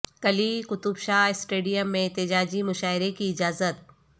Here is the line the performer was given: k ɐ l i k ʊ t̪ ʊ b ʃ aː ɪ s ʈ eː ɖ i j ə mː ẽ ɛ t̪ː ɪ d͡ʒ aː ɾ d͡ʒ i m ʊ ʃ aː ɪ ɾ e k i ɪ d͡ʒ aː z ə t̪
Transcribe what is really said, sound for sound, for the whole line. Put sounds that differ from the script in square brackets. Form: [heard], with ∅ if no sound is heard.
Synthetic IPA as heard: k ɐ l i k ʊ t̪ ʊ b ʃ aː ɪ s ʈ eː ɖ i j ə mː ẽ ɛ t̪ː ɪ d͡ʒ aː [∅] d͡ʒ i m ʊ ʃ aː ɪ ɾ e k i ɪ d͡ʒ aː z ə t̪